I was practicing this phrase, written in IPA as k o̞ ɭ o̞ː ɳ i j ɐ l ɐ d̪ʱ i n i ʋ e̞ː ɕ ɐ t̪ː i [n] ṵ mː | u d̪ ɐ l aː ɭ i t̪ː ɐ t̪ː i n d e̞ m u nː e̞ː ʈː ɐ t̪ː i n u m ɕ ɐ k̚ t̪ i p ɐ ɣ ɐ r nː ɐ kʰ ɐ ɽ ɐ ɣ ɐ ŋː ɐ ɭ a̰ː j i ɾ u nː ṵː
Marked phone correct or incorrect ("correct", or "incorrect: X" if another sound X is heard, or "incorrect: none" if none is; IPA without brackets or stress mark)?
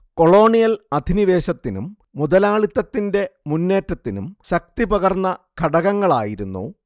correct